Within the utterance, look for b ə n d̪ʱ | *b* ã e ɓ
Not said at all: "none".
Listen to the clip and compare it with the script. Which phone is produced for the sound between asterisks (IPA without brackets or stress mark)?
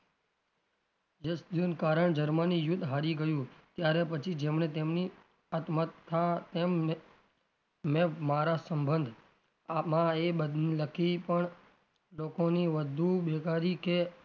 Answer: m